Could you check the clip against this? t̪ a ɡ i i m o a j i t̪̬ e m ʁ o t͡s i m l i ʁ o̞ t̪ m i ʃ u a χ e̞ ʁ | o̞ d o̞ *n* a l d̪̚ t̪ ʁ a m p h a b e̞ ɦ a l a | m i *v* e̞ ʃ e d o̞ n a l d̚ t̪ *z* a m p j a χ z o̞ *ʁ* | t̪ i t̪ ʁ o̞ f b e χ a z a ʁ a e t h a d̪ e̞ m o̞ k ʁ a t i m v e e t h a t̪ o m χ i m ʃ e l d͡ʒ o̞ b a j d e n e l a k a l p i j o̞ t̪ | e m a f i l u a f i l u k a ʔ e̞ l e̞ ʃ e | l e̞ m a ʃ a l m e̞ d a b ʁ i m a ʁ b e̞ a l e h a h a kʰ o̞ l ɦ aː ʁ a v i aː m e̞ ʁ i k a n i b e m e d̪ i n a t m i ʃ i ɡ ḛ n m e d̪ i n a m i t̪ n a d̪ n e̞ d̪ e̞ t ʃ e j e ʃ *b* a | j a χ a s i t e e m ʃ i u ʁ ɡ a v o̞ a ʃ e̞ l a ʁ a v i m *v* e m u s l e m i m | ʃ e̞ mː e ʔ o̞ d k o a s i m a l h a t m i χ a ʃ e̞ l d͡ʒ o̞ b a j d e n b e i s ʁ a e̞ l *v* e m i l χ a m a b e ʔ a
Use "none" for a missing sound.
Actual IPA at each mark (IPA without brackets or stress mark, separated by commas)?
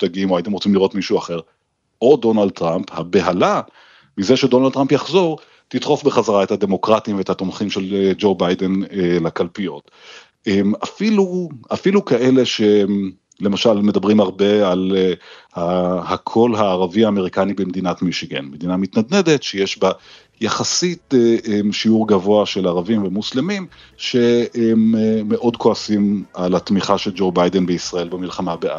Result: n, z, ʁ, ʁ, b, v, b